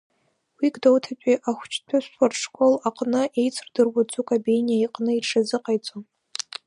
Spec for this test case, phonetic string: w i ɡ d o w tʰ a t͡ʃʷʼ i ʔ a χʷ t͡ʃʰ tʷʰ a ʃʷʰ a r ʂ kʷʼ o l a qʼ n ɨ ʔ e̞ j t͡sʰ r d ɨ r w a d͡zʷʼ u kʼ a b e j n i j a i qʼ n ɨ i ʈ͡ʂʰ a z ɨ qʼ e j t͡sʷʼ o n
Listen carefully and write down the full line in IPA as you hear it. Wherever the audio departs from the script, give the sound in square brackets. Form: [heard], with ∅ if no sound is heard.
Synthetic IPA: w i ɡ d o w tʰ a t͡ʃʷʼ i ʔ a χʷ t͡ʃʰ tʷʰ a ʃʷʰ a r ʂ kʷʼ o l a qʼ n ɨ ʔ e̞ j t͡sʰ r d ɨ r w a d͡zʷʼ u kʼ a b e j n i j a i qʼ n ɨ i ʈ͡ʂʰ a z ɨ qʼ [a] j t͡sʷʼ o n